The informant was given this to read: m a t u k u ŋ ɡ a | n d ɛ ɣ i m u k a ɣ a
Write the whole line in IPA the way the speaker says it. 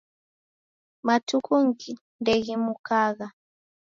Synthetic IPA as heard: m a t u k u ŋ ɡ i | n d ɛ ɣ i m u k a ɣ a

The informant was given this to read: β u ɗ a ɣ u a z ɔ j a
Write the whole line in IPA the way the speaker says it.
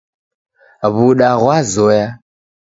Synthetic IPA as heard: β u ɗ a ɣ w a z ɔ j a

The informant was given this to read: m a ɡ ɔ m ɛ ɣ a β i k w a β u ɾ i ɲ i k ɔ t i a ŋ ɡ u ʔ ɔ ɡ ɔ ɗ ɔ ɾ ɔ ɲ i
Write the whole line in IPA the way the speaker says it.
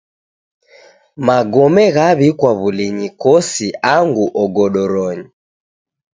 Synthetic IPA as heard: m a ɡ ɔ m ɛ ɣ a β i k w a β u l i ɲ i k ɔ s i a ŋ ɡ u ʔ ɔ ɡ ɔ ɗ ɔ ɾ ɔ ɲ i

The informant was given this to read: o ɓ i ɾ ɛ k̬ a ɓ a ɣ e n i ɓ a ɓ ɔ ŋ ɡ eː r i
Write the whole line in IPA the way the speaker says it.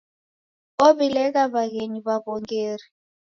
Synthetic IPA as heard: o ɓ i l ɛ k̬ a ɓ a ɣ e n i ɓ a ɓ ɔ ŋ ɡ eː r i

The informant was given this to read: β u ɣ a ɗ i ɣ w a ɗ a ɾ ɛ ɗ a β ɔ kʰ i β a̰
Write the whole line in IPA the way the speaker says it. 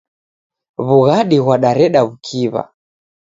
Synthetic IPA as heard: β u ɣ a ɗ i ɣ w a ɗ a ɾ ɛ ɗ a β u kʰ i β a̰

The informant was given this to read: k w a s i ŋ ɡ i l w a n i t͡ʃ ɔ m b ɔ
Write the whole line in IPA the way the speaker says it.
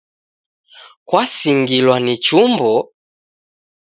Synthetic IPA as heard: k w a s i ŋ ɡ i l w a n i t͡ʃ u m b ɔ

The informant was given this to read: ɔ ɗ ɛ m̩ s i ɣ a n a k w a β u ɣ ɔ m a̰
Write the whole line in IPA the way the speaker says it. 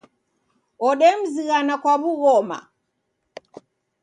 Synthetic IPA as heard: ɔ ɗ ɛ m̩ z i ɣ a n a k w a β u ɣ ɔ m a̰

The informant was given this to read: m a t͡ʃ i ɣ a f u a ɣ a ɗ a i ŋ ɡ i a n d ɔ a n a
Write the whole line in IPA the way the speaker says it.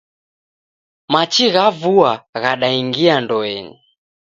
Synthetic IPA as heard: m a t͡ʃ i ɣ a v u a ɣ a ɗ a i ŋ ɡ i a n d ɔ ɛ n i

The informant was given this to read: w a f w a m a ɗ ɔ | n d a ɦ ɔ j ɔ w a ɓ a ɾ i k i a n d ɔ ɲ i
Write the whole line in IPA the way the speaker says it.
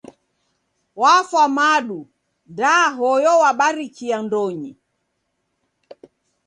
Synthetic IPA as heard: w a f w a m a ɗ u | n d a ɦ ɔ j ɔ w a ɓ a ɾ i k i a n d ɔ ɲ i

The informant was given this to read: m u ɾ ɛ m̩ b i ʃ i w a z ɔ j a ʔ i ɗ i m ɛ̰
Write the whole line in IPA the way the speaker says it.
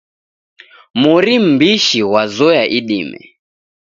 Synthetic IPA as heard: m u ɾ i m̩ b i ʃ i w a z ɔ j a ʔ i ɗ i m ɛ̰

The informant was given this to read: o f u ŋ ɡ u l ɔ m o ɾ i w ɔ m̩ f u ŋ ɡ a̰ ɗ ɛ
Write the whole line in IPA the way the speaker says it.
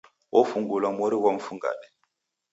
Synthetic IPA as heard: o f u ŋ ɡ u l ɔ m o ɾ i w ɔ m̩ f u ŋ ɡ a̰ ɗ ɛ

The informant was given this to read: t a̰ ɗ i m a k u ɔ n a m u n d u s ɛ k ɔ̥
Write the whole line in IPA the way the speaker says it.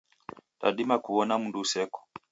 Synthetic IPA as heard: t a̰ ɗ i m a k u ɔ n a m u n d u s ɛ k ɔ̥

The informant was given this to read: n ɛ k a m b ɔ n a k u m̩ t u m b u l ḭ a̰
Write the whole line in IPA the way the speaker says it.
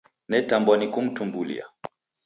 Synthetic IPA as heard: n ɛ t a m b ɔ n i k u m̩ t u m b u l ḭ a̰

